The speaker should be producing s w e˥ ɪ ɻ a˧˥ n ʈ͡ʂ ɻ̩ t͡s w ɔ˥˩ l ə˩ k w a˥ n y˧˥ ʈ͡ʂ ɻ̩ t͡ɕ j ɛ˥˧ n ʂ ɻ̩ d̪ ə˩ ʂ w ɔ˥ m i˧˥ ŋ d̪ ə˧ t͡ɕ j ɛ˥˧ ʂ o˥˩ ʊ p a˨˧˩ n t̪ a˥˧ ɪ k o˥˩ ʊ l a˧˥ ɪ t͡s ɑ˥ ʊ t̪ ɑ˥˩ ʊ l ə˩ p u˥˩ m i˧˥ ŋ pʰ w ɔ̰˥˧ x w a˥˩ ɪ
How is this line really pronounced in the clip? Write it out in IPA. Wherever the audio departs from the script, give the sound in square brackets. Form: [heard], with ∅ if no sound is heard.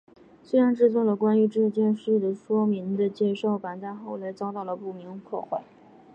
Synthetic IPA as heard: s w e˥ ɪ ɻ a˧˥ n ʈ͡ʂ ɻ̩ t͡s w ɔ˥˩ l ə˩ k w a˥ n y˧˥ ʈ͡ʂ ɻ̩ t͡ɕ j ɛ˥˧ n ʂ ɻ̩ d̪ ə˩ ʂ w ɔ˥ m i˧˥ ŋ d̪ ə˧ t͡ɕ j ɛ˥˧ ʂ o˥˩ ʊ p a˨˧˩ n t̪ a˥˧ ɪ [x] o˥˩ ʊ l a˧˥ ɪ t͡s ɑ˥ ʊ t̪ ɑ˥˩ ʊ l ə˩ p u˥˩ m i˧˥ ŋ pʰ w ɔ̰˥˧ x w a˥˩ ɪ